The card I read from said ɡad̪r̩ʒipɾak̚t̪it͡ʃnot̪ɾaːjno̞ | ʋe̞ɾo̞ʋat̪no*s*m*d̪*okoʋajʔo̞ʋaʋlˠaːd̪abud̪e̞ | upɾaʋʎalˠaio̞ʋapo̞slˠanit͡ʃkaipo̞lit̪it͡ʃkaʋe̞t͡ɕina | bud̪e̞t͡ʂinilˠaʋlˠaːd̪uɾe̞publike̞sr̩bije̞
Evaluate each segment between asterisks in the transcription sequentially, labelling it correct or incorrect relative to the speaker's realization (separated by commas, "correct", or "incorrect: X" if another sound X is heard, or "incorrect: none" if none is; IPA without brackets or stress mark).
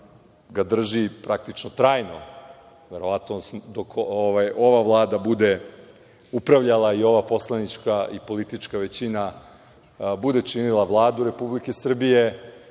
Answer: correct, correct